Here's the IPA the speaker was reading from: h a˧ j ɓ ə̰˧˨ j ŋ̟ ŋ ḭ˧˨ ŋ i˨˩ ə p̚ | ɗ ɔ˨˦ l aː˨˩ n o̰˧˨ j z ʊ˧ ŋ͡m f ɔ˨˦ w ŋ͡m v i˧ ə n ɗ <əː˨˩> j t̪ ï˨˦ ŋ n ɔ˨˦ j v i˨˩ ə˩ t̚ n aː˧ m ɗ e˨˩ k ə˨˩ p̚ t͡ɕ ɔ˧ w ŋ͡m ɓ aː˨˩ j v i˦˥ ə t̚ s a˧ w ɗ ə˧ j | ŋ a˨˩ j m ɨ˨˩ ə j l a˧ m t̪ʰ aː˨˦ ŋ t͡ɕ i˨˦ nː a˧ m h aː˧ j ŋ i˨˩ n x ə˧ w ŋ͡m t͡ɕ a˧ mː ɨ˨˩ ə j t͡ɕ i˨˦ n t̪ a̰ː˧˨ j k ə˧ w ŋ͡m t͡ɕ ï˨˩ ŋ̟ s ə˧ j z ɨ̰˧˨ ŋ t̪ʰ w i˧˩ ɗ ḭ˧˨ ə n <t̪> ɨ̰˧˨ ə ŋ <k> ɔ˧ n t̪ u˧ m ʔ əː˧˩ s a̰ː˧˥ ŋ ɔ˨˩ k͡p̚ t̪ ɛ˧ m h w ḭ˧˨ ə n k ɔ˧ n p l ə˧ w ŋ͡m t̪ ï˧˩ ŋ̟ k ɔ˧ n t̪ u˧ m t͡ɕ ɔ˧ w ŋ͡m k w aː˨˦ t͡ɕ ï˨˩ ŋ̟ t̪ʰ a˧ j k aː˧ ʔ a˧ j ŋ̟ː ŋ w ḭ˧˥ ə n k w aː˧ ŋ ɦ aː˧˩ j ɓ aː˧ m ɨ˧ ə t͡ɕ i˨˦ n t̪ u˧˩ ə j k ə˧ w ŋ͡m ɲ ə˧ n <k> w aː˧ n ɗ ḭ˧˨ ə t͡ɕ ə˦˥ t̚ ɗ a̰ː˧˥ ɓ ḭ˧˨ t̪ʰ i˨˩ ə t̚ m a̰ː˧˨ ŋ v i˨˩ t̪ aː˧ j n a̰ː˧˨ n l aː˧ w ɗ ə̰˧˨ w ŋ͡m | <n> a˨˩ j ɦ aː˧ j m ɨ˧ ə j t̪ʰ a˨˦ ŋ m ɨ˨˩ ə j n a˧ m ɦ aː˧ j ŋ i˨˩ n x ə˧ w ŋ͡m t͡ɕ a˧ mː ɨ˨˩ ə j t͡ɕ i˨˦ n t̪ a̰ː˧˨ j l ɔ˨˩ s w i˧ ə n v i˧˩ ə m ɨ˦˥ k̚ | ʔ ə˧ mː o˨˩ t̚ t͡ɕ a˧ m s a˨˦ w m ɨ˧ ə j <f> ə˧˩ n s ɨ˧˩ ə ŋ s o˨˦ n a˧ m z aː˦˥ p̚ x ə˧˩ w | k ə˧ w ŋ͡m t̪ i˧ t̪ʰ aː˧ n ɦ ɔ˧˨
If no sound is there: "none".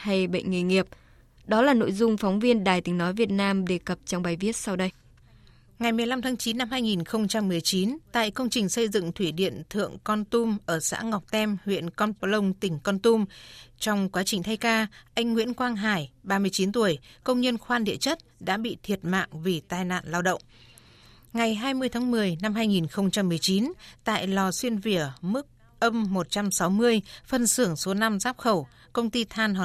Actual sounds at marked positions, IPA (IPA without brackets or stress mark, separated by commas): aː˨˩, t̪ʰ, k, x, ŋ, f